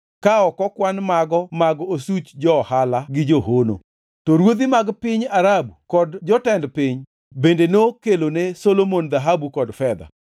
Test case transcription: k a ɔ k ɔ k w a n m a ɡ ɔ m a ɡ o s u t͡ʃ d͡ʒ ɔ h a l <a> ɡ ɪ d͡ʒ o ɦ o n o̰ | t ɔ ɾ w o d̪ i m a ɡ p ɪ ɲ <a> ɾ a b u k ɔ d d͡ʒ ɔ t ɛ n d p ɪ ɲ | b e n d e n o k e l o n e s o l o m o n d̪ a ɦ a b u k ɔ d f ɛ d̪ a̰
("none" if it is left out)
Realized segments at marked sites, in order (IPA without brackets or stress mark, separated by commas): a, a